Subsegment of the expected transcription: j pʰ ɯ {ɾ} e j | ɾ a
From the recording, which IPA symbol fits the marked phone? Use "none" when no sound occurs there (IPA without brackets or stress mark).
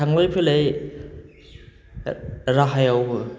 l